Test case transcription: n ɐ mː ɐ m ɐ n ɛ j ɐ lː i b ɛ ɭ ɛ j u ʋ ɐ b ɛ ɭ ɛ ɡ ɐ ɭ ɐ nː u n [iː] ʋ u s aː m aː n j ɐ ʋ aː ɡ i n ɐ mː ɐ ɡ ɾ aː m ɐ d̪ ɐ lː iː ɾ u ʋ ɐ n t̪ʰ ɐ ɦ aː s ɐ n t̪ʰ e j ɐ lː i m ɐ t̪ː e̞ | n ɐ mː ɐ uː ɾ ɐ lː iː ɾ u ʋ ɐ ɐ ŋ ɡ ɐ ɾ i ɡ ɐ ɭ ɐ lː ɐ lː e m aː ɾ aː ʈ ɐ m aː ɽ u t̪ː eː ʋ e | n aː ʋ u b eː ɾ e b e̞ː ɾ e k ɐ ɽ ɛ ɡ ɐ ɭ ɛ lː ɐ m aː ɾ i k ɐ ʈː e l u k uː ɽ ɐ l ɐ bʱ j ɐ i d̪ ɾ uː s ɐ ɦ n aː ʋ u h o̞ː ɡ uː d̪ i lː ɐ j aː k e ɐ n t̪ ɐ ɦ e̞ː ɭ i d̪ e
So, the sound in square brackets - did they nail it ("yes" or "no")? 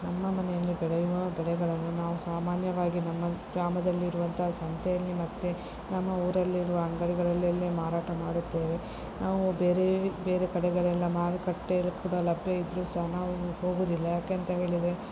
no